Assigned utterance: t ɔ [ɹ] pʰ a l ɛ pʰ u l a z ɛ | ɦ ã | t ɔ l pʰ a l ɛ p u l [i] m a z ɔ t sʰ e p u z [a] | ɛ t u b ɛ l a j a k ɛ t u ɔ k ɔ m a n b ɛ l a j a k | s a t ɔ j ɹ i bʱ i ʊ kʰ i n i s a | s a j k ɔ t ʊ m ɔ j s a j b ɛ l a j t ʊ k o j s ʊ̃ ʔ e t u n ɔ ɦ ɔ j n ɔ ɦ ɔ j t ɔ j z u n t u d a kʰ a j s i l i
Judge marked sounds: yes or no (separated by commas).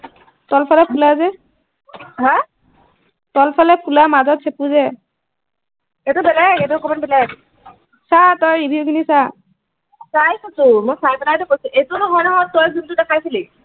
no, no, no